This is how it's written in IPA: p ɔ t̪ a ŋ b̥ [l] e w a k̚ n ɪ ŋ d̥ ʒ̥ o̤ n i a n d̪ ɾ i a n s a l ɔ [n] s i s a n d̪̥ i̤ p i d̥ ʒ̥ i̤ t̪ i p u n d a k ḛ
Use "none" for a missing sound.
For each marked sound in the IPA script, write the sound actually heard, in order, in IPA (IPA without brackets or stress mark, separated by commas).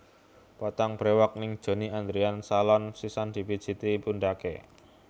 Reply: ɾ, n